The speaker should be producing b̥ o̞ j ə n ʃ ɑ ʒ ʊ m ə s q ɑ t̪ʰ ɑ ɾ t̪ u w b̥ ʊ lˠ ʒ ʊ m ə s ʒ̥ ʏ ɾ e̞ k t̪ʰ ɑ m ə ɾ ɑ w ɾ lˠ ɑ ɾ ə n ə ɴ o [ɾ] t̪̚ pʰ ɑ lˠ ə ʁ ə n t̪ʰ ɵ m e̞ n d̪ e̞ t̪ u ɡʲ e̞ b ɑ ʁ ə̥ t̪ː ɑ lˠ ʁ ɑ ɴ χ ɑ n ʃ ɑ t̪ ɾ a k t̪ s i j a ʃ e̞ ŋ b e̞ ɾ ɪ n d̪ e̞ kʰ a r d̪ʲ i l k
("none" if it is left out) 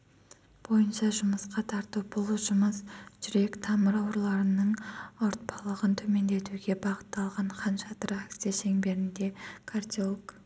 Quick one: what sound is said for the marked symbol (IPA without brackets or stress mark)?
ɾ